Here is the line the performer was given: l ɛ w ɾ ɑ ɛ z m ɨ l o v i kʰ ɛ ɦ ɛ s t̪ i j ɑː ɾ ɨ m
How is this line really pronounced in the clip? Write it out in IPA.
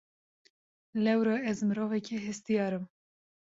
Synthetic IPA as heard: l ɛ w ɾ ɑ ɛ z m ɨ ɾ o v ɛ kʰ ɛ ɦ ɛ s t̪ i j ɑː ɾ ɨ m